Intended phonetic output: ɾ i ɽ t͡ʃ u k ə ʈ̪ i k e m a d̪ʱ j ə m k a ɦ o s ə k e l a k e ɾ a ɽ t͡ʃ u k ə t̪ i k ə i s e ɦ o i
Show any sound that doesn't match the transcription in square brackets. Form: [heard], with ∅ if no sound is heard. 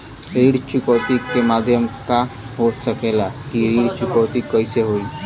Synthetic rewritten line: ɾ i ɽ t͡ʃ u k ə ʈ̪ i k e m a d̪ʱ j ə m k a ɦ o s ə k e l a k [i] ɾ [i] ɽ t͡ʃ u k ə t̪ i k ə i s e ɦ o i